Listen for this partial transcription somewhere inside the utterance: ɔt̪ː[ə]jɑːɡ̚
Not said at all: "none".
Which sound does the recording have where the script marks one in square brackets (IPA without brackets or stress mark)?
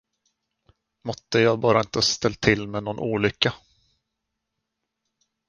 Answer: ə